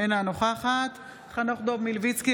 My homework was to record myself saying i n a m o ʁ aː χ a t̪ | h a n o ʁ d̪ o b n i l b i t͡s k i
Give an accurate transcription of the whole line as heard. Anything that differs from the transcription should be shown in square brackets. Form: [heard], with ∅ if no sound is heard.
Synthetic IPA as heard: [e] n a [n] o [χ] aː χ a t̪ | [χ] a n o [χ] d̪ o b [m] i l [v] i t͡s k i